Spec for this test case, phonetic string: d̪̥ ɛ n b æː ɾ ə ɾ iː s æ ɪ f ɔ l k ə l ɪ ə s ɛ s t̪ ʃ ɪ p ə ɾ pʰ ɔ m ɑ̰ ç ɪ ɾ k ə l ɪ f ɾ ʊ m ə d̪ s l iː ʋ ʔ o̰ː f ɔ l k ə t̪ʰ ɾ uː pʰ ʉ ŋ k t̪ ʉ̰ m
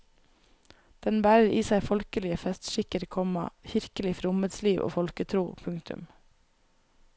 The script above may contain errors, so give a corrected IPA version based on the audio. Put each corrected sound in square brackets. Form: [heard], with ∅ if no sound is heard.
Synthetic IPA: d̪̥ ɛ n b æː ɾ ə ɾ iː s æ ɪ f ɔ l k ə l ɪ ə [f] ɛ s t̪ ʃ ɪ [k] ə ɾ [kʰ] ɔ m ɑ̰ ç ɪ ɾ k ə l ɪ f ɾ ʊ m ə d̪ s l iː ʋ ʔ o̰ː f ɔ l k ə t̪ʰ ɾ uː pʰ ʉ ŋ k t̪ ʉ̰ m